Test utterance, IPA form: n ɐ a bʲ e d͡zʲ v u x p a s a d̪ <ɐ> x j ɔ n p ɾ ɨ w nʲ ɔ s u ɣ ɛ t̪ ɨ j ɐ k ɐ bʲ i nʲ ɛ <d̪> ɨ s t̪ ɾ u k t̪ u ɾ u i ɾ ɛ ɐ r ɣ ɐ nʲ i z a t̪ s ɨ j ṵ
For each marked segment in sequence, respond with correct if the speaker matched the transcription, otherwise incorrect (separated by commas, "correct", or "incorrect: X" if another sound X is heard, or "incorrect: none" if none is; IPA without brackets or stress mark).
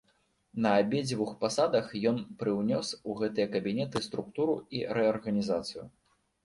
correct, incorrect: t̪